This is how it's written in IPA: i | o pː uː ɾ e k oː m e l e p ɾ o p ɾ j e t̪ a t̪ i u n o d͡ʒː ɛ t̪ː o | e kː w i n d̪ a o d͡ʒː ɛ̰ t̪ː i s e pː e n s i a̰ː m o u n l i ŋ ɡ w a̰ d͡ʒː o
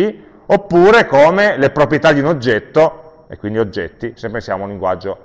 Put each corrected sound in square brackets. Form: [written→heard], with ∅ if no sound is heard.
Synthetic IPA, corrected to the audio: i | o pː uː ɾ e k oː m e l e p ɾ o p ɾ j e t̪ a [t̪→d̪] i u n o d͡ʒː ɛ t̪ː o | e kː w i n d̪ [a→i] o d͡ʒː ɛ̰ t̪ː i s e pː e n s [i→j] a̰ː m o u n l i ŋ ɡ w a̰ d͡ʒː o